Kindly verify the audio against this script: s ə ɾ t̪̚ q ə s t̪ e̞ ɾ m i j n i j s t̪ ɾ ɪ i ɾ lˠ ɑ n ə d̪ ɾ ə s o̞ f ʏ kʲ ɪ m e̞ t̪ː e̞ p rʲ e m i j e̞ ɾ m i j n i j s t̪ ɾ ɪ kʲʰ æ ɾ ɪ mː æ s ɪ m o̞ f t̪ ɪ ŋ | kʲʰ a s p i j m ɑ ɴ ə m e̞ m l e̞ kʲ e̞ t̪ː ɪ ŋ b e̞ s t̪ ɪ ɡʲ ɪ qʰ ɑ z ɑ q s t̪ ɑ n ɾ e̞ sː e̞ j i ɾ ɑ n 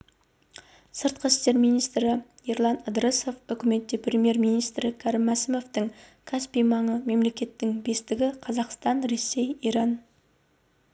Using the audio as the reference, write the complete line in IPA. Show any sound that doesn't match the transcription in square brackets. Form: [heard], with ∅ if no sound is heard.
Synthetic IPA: s ə ɾ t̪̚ q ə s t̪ e̞ ɾ m i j n i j s t̪ ɾ ɪ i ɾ lˠ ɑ n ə d̪ ɾ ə s o̞ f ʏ kʲ ɪ m e̞ t̪ː e̞ p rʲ e m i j e̞ ɾ m i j n i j s t̪ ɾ ɪ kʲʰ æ ɾ ɪ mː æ s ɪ m o̞ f t̪ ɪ ŋ | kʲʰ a s p i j m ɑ ɴ ə m e̞ m l e̞ kʲ e̞ t̪ː ɪ ŋ b e̞ s t̪ ɪ ɡʲ ɪ qʰ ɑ z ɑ q s t̪ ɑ n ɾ e̞ sː e̞ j i ɾ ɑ n

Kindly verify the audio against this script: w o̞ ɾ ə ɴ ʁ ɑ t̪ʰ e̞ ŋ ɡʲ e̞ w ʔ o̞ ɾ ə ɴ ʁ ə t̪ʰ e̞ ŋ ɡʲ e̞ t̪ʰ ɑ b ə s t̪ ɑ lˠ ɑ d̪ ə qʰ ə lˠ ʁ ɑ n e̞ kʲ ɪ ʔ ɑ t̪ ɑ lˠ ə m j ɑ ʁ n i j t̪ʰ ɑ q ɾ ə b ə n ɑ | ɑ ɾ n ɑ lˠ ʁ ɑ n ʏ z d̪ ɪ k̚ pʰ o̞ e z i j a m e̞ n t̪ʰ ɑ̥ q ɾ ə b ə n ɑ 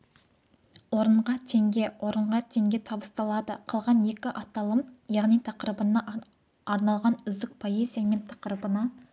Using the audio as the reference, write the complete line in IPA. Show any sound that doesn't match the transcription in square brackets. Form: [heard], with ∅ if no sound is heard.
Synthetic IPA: w o̞ ɾ ə ɴ ʁ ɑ t̪ʰ e̞ ŋ ɡʲ e̞ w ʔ o̞ ɾ ə ɴ ʁ [ɑ] t̪ʰ e̞ ŋ ɡʲ e̞ t̪ʰ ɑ b ə s t̪ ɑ lˠ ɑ d̪ ə qʰ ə lˠ ʁ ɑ n e̞ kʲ ɪ ʔ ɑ t̪ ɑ lˠ ə m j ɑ ʁ n i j t̪ʰ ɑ q ɾ ə b ə n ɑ | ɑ ɾ n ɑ lˠ ʁ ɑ n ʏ z d̪ ɪ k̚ pʰ o̞ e z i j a m e̞ n t̪ʰ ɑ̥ q ɾ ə b ə n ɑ

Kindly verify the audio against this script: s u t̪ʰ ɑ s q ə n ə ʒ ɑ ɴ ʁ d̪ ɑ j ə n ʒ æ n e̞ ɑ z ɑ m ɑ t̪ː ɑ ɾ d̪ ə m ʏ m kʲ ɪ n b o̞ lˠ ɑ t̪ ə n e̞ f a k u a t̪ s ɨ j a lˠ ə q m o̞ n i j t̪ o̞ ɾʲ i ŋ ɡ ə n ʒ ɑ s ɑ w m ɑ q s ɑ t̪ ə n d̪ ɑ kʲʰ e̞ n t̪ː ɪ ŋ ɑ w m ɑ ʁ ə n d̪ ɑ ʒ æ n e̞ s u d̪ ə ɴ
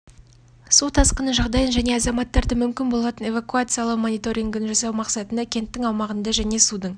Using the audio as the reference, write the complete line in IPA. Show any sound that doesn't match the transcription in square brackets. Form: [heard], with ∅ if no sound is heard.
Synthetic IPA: s u t̪ʰ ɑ s q ə n ə ʒ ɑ [∅] ʁ d̪ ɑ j ə n ʒ æ n e̞ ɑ z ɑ m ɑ t̪ː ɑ ɾ d̪ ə m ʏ m kʲ ɪ n b o̞ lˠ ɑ t̪ ə n e̞ [v] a k u a t̪ s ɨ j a lˠ ə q m o̞ n i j t̪ o̞ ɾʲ i ŋ ɡ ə n ʒ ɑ s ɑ w m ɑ q s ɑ t̪ ə n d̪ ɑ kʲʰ e̞ n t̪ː ɪ ŋ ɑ w m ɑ ʁ ə n d̪ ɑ ʒ æ n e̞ s u d̪ ə ɴ

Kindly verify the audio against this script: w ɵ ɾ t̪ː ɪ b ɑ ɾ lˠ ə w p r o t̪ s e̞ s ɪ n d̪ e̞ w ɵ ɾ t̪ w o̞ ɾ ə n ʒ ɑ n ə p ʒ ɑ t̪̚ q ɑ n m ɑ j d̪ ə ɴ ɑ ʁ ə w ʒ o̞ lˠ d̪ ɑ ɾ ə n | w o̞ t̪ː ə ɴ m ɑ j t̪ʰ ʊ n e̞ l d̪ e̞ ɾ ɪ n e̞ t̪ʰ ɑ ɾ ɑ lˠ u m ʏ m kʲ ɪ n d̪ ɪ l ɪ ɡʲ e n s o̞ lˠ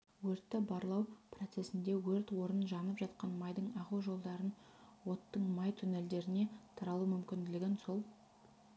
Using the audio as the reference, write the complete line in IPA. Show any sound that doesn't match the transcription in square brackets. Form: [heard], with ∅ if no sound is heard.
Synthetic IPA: w ɵ ɾ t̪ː ɪ b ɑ ɾ lˠ [ɑ] w p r o t̪ s e̞ s ɪ n d̪ e̞ w ɵ ɾ t̪ w o̞ ɾ ə n ʒ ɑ n ə p ʒ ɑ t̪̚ q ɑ n m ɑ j d̪ ə ɴ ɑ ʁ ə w ʒ o̞ lˠ d̪ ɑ ɾ ə n | w o̞ t̪ː ə ɴ m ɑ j t̪ʰ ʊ n e̞ l d̪ e̞ ɾ ɪ n e̞ t̪ʰ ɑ ɾ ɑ lˠ u m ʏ m kʲ ɪ n d̪ ɪ l ɪ ɡʲ e n s o̞ lˠ

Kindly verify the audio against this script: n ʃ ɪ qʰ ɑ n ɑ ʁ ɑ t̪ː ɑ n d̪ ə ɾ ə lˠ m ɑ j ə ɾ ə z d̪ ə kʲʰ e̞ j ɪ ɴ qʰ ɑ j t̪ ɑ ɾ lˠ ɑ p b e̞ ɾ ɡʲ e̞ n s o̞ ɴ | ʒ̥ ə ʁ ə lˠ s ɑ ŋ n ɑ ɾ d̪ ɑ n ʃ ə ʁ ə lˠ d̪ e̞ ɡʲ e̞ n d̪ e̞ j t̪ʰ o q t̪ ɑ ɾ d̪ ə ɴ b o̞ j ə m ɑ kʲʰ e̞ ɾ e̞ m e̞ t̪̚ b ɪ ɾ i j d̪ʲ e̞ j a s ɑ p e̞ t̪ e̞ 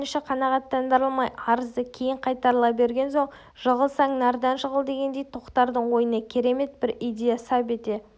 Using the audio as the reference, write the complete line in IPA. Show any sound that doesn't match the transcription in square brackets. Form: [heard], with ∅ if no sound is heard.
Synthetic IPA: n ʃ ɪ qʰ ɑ n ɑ ʁ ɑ t̪ː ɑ n d̪ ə ɾ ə lˠ m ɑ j [ɑ] ɾ ə z d̪ ə kʲʰ e̞ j ɪ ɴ qʰ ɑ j t̪ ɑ ɾ lˠ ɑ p b e̞ ɾ ɡʲ e̞ n s o̞ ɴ | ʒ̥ ə ʁ ə lˠ s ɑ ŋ n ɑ ɾ d̪ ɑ n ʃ ə ʁ ə lˠ d̪ e̞ ɡʲ e̞ n d̪ e̞ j t̪ʰ o q t̪ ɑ ɾ d̪ ə ɴ [w] o̞ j ə [n] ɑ kʲʰ e̞ ɾ e̞ m e̞ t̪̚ b ɪ ɾ i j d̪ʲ e̞ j a s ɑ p e̞ t̪ e̞

